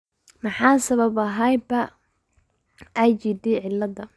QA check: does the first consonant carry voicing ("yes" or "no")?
yes